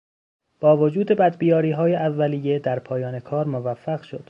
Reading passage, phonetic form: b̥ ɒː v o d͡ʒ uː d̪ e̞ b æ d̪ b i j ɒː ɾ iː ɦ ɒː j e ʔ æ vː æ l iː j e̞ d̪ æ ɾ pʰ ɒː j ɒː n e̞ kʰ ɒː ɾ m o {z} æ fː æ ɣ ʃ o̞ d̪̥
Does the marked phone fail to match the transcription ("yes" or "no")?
yes